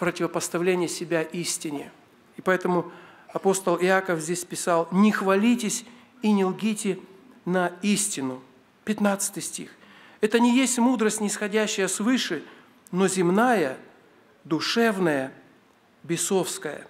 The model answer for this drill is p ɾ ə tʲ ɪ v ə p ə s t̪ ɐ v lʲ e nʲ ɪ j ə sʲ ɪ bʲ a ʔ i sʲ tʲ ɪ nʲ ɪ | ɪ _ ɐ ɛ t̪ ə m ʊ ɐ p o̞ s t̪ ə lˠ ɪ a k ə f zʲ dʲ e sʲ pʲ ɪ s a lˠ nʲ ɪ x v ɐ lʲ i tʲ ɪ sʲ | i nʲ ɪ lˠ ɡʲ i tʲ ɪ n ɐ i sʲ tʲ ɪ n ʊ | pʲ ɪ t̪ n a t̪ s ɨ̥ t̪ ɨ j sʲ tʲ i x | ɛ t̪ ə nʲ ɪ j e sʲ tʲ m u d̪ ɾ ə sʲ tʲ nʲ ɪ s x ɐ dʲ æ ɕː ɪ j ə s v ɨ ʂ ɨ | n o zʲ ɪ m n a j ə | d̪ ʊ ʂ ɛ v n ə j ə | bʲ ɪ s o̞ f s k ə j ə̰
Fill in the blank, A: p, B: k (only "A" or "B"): A